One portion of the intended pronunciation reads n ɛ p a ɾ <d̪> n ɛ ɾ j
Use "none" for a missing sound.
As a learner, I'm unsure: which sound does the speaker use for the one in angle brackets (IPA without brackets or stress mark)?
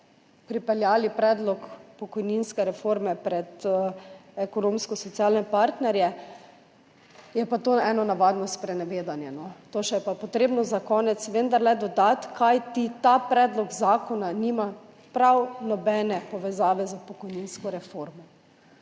t̪